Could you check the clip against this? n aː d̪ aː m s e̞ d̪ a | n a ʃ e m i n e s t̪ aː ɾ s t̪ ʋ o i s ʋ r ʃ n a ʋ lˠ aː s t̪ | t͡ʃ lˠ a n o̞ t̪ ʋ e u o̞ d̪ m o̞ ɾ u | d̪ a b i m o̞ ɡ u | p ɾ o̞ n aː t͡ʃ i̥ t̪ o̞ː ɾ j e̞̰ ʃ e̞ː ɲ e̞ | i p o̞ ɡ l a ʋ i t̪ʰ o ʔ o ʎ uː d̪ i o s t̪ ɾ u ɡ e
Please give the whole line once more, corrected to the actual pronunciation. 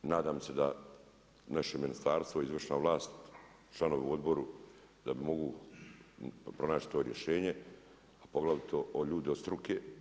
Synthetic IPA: n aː d̪ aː m s e̞ d̪ a | n a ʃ e m i n i s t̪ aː ɾ s t̪ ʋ o i z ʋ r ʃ n a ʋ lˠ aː s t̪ | t͡ʃ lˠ a n o̞ ʋ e u o̞ d̪ b o̞ ɾ u | d̪ a b i m o̞ ɡ u | p ɾ o̞ n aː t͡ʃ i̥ t̪ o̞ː ɾ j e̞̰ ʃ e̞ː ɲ e̞ | a p o̞ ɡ l a ʋ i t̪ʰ o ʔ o ʎ uː d̪ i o s t̪ ɾ u k e

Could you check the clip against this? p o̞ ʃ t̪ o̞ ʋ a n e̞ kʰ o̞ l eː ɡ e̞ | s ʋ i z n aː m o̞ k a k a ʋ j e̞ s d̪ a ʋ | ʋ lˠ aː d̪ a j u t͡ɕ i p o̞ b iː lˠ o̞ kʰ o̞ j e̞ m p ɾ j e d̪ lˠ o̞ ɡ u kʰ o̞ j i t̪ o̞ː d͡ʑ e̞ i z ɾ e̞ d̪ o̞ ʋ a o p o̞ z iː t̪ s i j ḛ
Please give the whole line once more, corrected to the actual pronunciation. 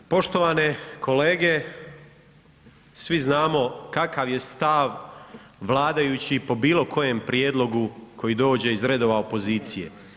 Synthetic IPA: p o̞ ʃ t̪ o̞ ʋ a n e̞ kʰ o̞ l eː ɡ e̞ | s ʋ i z n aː m o̞ k a k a ʋ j e̞ s t̪ a ʋ | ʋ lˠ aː d̪ a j u t͡ɕ i p o̞ b iː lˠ o̞ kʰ o̞ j e̞ m p ɾ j e d̪ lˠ o̞ ɡ u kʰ o̞ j i d̪ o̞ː d͡ʑ e̞ i z ɾ e̞ d̪ o̞ ʋ a o p o̞ z iː t̪ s i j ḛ

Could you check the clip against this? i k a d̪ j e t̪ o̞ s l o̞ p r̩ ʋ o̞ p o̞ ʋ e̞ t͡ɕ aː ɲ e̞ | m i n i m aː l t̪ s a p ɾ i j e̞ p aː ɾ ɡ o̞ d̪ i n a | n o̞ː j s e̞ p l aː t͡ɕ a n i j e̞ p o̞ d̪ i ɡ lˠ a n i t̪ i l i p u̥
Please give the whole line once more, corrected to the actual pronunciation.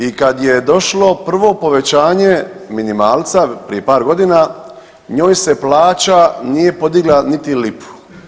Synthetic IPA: i k a d̪ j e d̪ o̞ ʃ l o̞ p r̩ ʋ o̞ p o̞ ʋ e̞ t͡ɕ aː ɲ e̞ | m i n i m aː l t̪ s a p ɾ i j e̞ p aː ɾ ɡ o̞ d̪ i n a | ɲ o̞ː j s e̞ p l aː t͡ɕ a n i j e̞ p o̞ d̪ i ɡ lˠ a n i t̪ i l i p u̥

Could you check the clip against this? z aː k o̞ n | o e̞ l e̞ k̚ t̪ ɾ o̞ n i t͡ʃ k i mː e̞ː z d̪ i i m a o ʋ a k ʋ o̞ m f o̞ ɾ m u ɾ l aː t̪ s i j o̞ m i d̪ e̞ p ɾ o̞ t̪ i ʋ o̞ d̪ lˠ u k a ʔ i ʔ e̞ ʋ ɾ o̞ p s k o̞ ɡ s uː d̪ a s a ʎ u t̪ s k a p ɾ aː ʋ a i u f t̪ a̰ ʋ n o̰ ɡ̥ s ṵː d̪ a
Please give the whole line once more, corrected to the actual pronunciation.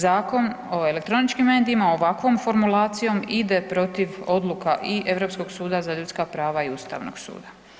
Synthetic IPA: z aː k o̞ n | o e̞ l e̞ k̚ t̪ ɾ o̞ n i t͡ʃ k i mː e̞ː d̪ i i m a o ʋ a k ʋ o̞ m f o̞ ɾ m u l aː t̪ s i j o̞ m i d̪ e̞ p ɾ o̞ t̪ i ʋ o̞ d̪ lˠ u k a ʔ i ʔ e̞ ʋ ɾ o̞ p s k o̞ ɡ s uː d̪ a z a ʎ u t̪ s k a p ɾ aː ʋ a i u s t̪ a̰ ʋ n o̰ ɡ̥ s ṵː d̪ a

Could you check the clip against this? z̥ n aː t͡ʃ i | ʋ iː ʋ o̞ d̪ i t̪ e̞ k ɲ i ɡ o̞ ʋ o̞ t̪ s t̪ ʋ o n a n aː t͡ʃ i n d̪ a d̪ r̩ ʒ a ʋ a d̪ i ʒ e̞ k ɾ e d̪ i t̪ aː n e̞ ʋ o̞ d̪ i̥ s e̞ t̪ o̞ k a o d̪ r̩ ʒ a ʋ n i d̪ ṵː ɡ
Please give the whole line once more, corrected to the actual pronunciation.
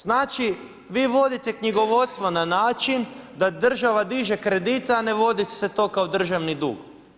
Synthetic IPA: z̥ n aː t͡ʃ i | ʋ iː ʋ o̞ d̪ i t̪ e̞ k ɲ i ɡ o̞ ʋ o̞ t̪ s t̪ ʋ o n a n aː t͡ʃ i n d̪ a d̪ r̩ ʒ a ʋ a d̪ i ʒ e̞ k ɾ e d̪ i t̪ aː n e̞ ʋ o̞ d̪ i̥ s e̞ t̪ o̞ k a o d̪ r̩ ʒ a ʋ n i d̪ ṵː ɡ

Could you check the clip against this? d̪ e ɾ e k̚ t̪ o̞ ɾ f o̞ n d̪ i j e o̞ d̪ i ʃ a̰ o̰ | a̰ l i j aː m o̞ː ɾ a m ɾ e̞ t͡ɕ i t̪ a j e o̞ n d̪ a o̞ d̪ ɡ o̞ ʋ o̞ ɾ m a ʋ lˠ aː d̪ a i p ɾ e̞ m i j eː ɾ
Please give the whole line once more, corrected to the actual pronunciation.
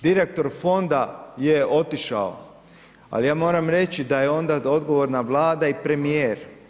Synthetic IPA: d̪ i ɾ e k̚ t̪ o̞ ɾ f o̞ n d̪ a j e o̞ t̪ i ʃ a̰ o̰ | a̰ l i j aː m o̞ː ɾ a m ɾ e̞ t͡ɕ i d̪ a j e o̞ n d̪ a o̞ d̪ ɡ o̞ ʋ o̞ ɾ n a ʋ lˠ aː d̪ a i p ɾ e̞ m i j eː ɾ

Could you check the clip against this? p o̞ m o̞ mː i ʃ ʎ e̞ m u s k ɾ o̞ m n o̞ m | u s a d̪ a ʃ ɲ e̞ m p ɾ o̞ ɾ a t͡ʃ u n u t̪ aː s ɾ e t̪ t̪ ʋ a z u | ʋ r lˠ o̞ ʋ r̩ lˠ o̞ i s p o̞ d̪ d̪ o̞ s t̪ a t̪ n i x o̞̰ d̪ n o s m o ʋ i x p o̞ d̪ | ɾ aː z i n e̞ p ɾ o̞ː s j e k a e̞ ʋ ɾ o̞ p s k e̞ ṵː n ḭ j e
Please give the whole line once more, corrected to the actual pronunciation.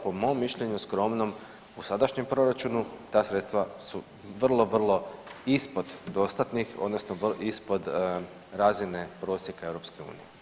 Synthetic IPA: p o̞ m o̞ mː i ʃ ʎ e̞ ɲ u s k ɾ o̞ m n o̞ m | u s a d̪ a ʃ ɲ e̞ m p ɾ o̞ ɾ a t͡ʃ u n u t̪ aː s ɾ e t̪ t̪ ʋ a s u | ʋ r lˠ o̞ ʋ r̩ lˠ o̞ i s p o̞ d̪ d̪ o̞ s t̪ a t̪ n i x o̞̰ d̪ n o s n o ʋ i s p o̞ d̪ | ɾ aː z i n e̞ p ɾ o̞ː s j e k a e̞ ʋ ɾ o̞ p s k e̞ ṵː n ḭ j e

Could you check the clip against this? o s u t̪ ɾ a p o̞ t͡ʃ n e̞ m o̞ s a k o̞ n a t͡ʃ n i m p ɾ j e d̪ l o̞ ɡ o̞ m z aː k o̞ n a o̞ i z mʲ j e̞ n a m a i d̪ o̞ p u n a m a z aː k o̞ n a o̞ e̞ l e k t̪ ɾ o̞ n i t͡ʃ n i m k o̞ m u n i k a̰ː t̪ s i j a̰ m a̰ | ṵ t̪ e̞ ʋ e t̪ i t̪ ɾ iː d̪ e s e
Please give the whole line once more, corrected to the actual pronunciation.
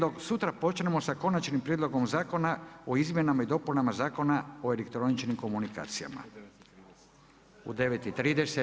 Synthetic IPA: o s u t̪ ɾ a p o̞ t͡ʃ n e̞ m o̞ s a k o̞ n a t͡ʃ n i m p ɾ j e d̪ l o̞ ɡ o̞ m z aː k o̞ n a o̞ i z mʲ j e̞ n a m a i d̪ o̞ p u n a m a z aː k o̞ n a o̞ e̞ l e k t̪ ɾ o̞ n i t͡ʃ n i m k o̞ m u n i k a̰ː t̪ s i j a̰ m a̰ | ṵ d̪ e̞ ʋ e t̪ i t̪ ɾ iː d̪ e s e

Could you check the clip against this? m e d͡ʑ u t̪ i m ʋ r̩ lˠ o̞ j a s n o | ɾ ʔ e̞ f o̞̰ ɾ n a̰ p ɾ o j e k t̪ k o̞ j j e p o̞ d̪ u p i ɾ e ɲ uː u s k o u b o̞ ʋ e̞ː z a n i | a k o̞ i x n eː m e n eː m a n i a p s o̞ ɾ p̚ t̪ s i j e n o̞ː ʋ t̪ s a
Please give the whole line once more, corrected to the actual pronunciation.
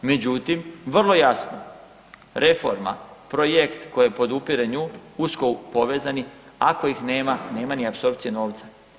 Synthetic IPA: m e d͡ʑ u t̪ i m ʋ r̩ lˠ o̞ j a s n o | ɾ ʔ e̞ f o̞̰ ɾ m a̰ p ɾ o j e k t̪ k o̞ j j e p o̞ d̪ u p i ɾ e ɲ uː u s k o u p o̞ ʋ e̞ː z a n i | a k o̞ i x n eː m a n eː m a n i a p s o̞ ɾ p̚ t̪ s i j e n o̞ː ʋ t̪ s a

